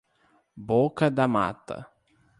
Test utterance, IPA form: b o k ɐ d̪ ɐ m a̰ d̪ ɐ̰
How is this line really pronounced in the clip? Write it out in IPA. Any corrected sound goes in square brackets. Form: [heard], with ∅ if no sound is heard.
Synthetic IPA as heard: b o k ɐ d̪ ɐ m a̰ [t̪] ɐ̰